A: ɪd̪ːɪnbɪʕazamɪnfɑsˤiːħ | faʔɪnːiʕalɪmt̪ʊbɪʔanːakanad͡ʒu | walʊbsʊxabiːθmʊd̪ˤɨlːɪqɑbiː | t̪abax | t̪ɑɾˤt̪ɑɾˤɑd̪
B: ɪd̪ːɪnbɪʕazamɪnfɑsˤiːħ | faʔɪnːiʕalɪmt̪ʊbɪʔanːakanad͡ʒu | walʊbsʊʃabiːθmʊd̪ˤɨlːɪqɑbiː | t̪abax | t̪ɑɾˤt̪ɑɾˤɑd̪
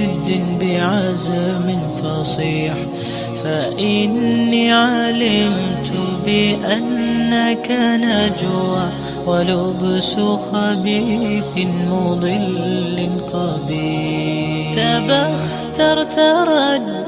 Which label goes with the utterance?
A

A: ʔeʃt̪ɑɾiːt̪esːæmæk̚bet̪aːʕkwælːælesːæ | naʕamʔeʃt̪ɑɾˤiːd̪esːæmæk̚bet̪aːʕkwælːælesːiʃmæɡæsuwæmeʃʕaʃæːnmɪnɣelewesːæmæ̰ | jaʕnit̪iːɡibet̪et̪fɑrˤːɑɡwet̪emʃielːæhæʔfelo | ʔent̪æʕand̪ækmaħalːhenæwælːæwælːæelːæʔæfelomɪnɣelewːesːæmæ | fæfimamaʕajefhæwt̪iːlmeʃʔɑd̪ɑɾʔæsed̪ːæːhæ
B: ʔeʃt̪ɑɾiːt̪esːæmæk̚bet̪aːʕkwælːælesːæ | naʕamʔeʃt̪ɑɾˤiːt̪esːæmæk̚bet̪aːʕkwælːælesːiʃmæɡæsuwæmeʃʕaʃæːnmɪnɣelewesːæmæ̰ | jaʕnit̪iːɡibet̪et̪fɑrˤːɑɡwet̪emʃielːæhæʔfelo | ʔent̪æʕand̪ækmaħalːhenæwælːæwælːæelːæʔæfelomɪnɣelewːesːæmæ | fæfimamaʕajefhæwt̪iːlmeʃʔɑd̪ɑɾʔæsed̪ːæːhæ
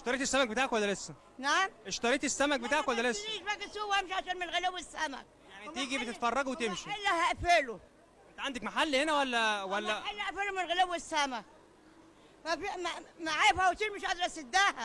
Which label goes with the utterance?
B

